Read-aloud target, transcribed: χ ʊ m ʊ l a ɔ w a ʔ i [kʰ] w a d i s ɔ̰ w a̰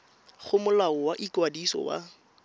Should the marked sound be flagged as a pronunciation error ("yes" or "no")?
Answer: yes